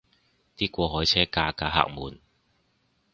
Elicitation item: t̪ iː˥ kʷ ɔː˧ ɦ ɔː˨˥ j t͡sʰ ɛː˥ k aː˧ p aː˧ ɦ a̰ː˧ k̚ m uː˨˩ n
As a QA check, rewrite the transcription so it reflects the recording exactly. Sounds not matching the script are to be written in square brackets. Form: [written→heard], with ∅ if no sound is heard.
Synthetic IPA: t̪ iː˥ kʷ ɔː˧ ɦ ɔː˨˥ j t͡sʰ ɛː˥ k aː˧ [p→k] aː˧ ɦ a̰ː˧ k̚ m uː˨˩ n